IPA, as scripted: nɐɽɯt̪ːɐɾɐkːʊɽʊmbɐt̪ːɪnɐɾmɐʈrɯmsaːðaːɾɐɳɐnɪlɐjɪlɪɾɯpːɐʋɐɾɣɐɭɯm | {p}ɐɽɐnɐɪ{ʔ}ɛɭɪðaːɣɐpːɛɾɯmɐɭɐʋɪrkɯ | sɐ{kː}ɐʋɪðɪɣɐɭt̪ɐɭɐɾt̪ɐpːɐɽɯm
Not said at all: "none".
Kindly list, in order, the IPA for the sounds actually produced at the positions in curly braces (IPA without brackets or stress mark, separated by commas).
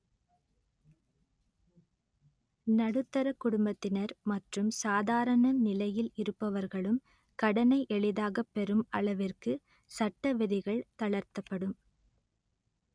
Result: k, ʔ, ʈː